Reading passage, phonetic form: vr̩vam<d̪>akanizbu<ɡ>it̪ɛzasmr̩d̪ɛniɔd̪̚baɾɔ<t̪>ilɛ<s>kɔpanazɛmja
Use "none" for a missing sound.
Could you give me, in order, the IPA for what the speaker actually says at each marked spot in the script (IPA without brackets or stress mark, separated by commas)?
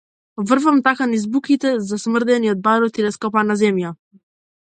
t̪, k, t̪, s